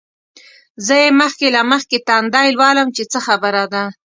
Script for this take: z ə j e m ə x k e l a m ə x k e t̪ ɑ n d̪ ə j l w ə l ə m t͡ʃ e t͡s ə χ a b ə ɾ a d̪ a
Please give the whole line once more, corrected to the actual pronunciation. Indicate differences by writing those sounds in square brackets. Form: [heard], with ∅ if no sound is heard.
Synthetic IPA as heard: z ə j e m ə x k e l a m ə x k e t̪ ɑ n d̪ [ɑ] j l w [ɑ] l ə m t͡ʃ e t͡s ə [x] a b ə ɾ a d̪ a

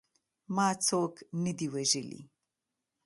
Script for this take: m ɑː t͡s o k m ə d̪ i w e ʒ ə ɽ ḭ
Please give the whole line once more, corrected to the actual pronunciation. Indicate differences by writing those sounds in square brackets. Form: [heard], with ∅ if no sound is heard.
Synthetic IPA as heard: m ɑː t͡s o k [n] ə d̪ i w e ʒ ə [l] ḭ

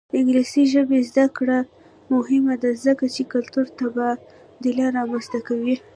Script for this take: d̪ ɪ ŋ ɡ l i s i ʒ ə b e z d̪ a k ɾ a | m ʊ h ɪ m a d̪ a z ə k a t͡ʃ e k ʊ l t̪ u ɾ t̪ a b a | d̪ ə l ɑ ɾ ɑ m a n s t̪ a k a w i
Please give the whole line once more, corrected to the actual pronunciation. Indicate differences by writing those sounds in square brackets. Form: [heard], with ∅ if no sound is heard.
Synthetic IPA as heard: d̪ ɪ ŋ ɡ l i s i ʒ ə b e z d̪ a k [ɽ] a | m ʊ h ɪ m a d̪ a z ə k a t͡ʃ e k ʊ l t̪ u ɾ t̪ a b a | d̪ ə l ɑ ɾ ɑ m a n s t̪ a k a w i

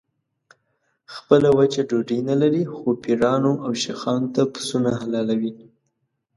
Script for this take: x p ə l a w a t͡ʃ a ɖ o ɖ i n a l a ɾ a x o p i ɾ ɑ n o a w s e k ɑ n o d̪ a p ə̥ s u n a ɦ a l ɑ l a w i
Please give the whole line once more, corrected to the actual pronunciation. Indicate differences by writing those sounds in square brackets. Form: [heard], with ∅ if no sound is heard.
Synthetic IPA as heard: x p ə l a w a t͡ʃ a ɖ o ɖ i n a l a ɾ [i] x o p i ɾ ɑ n o a w [ʃ] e [x] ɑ n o [t̪] a p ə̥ s u n a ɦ a l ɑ l a w i

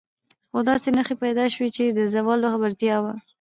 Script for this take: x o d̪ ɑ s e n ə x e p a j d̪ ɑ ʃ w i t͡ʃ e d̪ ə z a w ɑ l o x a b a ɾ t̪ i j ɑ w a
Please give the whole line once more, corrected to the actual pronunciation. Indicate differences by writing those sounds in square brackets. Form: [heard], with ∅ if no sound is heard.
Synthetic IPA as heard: x o d̪ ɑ s e n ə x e p a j d̪ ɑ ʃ w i t͡ʃ e d̪ ə z a w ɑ l o x a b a ɾ t̪ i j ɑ w a

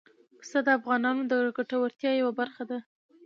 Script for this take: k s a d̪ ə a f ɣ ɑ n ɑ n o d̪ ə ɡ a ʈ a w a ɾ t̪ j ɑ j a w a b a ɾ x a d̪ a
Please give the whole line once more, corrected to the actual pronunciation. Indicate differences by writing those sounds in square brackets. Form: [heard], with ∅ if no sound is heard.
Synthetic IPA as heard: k s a d̪ ə a f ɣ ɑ n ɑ n o d̪ ə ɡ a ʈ a w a ɾ t̪ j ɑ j a w a b a ɾ x a d̪ a

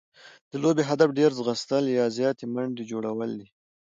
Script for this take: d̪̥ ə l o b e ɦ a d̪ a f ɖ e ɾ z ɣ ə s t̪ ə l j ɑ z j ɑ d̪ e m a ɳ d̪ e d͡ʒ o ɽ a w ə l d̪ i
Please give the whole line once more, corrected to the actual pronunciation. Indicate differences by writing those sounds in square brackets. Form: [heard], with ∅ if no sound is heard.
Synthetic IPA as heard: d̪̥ ə l o b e ɦ a d̪ a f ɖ e ɾ z ɣ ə s t̪ ə l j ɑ z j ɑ [t̪] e m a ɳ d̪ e d͡ʒ o ɽ a w ə l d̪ i

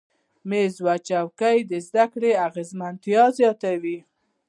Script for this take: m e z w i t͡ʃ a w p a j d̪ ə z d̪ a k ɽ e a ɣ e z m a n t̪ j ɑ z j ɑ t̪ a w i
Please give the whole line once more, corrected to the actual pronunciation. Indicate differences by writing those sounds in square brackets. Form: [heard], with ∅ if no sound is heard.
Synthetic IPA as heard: m e z w [a] t͡ʃ a w [k] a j d̪ ə z d̪ a k ɽ e a ɣ e z m a n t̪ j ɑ z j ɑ t̪ a w i

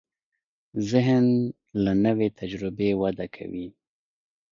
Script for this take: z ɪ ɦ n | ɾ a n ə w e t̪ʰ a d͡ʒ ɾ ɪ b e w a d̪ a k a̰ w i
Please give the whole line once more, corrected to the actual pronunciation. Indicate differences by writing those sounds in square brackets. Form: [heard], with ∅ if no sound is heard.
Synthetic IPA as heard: z ɪ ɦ n | [l] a n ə w e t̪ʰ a d͡ʒ ɾ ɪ b e w a d̪ a [kʰ] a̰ w i

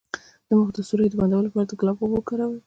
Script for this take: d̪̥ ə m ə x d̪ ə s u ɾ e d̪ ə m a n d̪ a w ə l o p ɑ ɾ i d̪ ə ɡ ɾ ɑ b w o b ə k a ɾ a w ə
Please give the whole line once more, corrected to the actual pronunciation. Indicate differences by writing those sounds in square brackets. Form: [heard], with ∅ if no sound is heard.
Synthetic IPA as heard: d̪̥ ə m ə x d̪ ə s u ɾ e d̪ ə [b] a n d̪ a w ə l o p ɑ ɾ [a] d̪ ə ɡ [l] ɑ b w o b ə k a ɾ a w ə

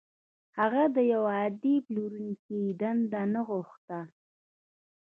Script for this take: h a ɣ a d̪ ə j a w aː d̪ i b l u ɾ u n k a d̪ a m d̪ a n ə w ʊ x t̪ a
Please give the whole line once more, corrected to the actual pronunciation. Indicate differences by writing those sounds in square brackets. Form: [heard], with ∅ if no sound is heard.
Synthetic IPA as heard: h a ɣ a d̪ ə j a w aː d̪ i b l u ɾ u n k [i] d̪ a [n] d̪ a n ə [ɣ] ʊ x t̪ a

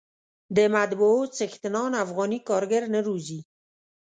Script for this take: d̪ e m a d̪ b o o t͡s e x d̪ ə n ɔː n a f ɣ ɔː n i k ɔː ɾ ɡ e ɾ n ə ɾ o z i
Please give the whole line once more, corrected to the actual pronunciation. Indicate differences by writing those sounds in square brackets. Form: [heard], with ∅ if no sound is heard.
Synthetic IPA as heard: d̪ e m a d̪ b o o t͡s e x [t̪] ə n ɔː n a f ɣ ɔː n i k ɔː ɾ ɡ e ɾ n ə ɾ [u] z i

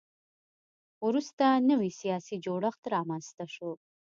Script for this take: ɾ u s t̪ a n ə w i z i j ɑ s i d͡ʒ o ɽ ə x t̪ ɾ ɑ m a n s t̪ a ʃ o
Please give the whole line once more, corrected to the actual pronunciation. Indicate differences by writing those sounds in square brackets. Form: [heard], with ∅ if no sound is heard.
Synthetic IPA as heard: ɾ u s t̪ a n ə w i [s] i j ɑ s i d͡ʒ o ɽ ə x t̪ ɾ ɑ m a n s t̪ a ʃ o

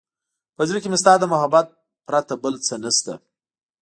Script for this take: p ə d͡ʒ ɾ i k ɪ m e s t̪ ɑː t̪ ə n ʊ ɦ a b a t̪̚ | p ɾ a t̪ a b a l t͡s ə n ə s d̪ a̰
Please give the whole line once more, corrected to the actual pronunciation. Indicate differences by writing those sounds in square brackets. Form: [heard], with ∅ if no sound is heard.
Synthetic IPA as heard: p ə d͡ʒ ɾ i k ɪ m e s t̪ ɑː [d̪] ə [m] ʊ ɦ a b a t̪̚ | p ɾ a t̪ a b [ə] l t͡s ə n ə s [t̪] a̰

